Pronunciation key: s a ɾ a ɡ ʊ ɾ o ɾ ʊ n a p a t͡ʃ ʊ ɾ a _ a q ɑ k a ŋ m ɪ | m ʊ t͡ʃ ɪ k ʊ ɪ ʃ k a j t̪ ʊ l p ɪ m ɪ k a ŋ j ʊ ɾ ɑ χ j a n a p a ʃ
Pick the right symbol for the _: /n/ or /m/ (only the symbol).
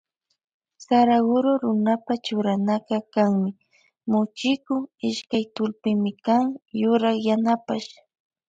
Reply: n